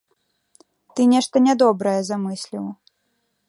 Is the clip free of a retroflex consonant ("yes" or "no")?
no